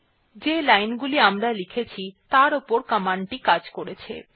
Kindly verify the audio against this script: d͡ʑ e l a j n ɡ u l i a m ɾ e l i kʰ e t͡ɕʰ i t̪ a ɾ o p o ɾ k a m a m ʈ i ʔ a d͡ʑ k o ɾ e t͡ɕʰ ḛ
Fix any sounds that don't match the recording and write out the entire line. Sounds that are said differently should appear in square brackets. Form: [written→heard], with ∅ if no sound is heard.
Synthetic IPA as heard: d͡ʑ e l a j n ɡ u l i a m ɾ [e→a] l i kʰ e t͡ɕʰ i t̪ a ɾ o p o ɾ k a m a [m→ɳ] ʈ i [ʔ→k] a d͡ʑ k o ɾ e t͡ɕʰ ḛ

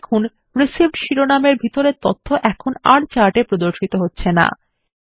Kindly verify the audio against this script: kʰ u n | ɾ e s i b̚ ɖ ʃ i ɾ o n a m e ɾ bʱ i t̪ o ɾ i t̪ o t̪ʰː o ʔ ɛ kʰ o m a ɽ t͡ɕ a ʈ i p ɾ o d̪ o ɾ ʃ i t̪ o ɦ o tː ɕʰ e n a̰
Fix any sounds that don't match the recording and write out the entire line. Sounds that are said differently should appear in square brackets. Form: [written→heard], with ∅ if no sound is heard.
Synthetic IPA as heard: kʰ u n | ɾ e s i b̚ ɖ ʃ i ɾ o n a m e ɾ bʱ i t̪ o ɾ [i→e] t̪ o t̪ʰː o ʔ ɛ kʰ o [m→n] a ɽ t͡ɕ a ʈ [i→e] p ɾ o d̪ o ɾ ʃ i t̪ o ɦ o tː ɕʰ e n a̰

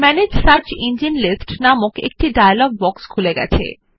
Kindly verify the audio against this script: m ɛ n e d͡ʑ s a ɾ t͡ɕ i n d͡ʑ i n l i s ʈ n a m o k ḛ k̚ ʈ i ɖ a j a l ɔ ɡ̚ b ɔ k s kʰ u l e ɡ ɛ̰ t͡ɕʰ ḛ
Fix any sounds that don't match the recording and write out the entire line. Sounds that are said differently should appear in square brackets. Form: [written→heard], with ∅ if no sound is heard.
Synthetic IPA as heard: m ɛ n e d͡ʑ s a ɾ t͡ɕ i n d͡ʑ i n l i s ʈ n a m o k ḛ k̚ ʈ i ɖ a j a l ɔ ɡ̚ b ɔ k s kʰ u l e ɡ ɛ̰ t͡ɕʰ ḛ

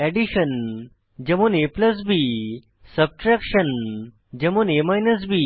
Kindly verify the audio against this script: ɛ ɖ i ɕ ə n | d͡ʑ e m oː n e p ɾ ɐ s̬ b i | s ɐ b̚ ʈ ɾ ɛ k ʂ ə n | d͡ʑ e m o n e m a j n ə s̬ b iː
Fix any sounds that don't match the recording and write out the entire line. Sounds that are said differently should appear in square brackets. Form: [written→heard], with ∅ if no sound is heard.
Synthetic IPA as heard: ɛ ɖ i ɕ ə n | d͡ʑ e m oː n e p [ɾ→l] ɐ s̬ b i | s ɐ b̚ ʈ ɾ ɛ k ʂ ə n | d͡ʑ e m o n e m a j n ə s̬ b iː

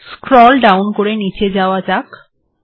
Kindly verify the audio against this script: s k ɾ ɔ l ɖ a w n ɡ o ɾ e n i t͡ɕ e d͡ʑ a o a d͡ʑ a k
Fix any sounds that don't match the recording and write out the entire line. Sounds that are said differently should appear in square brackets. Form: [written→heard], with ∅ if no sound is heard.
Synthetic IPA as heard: s k ɾ ɔ l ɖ a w n [ɡ→k] o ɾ e n i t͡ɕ e d͡ʑ a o a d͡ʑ a k

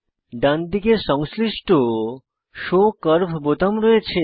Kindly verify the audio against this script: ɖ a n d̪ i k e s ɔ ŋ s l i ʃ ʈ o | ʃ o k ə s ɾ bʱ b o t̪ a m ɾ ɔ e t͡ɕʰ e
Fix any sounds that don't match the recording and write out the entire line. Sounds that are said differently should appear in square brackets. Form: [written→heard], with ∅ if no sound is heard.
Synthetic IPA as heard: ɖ a n d̪ i k e [s→ʃ] ɔ ŋ s l i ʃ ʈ o | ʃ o k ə [s→∅] ɾ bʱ b o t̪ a m ɾ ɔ e t͡ɕʰ e

